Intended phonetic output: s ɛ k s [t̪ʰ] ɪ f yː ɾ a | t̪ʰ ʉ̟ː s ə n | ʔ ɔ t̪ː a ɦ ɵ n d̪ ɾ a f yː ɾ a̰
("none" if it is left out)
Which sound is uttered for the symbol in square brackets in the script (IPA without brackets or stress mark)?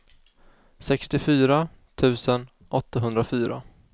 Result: t̪